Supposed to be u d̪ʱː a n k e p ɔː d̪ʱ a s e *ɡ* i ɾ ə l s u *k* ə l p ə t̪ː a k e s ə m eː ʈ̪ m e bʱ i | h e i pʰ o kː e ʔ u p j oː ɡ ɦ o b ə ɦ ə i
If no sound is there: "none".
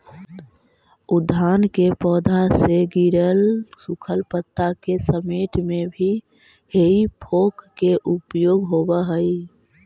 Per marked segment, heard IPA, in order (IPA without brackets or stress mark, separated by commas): ɡ, kʰ